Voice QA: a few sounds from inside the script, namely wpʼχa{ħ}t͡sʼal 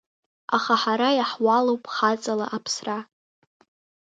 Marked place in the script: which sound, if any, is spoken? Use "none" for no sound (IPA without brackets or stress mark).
none